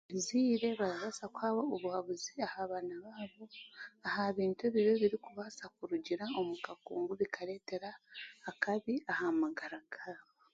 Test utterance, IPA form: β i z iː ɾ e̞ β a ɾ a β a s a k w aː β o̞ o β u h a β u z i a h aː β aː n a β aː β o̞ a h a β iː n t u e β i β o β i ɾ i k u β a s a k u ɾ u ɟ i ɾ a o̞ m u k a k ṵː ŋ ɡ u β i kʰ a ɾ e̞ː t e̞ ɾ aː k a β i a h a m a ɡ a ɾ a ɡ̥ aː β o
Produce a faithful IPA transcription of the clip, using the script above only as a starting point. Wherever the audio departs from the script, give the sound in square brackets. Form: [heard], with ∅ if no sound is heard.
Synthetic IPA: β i z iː ɾ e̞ β a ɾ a β a s a k w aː β o̞ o β u h a β u z i a h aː β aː n a β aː β o̞ a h a β iː n t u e β i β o β i ɾ i k u β a s a k u ɾ u ɟ i ɾ a o̞ m u k a k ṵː ŋ ɡ u β i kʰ a ɾ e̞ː t e̞ ɾ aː k a β i a h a m a ɡ a ɾ a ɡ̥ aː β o